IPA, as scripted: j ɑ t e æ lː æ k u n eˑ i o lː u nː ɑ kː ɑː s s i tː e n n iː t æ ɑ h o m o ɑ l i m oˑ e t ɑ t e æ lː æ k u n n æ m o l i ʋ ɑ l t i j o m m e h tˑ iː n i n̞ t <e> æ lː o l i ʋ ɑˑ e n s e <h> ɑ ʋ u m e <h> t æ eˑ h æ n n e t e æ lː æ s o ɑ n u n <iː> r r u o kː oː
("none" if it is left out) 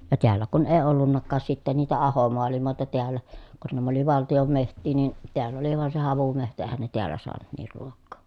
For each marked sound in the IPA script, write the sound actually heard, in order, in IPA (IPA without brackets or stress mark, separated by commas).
e, h, h, iː